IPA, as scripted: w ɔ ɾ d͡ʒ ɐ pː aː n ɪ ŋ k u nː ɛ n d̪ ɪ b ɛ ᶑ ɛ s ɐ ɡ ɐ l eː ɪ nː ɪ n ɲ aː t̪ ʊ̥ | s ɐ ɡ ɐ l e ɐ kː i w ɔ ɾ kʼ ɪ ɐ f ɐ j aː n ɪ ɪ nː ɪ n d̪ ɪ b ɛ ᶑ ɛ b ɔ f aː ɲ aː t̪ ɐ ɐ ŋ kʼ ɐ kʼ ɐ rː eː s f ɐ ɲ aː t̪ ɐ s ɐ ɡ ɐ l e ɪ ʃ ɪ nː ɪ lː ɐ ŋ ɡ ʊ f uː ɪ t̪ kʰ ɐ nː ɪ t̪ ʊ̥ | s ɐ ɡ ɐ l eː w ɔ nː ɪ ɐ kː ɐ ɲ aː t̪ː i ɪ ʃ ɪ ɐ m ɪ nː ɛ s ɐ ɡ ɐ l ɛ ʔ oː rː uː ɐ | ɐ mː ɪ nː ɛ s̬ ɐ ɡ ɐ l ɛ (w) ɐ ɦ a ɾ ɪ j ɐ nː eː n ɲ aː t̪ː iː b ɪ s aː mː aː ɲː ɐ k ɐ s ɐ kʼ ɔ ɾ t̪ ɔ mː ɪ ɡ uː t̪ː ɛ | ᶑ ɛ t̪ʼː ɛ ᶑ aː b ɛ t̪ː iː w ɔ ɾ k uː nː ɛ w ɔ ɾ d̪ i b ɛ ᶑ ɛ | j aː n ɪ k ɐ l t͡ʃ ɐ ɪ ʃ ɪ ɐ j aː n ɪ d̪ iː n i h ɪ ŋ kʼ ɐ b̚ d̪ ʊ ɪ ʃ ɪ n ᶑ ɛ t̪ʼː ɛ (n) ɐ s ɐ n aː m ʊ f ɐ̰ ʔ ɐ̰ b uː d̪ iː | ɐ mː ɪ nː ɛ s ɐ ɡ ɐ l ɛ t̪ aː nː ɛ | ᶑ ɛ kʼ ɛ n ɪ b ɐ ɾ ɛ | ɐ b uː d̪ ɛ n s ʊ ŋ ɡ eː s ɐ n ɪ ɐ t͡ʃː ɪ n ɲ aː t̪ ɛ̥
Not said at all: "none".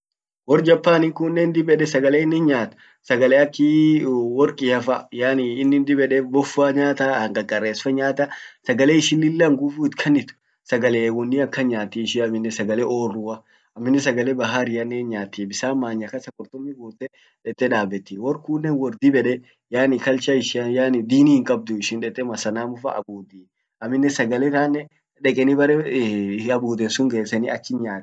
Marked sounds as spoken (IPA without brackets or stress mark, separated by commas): b, m